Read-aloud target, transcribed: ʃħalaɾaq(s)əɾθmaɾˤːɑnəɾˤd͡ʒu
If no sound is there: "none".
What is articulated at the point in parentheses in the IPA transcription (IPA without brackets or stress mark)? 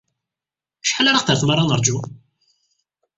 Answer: θ